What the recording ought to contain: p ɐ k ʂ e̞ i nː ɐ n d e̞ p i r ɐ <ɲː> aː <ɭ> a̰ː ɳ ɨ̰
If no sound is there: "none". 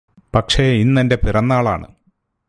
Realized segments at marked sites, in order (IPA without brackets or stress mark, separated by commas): nː, ɭ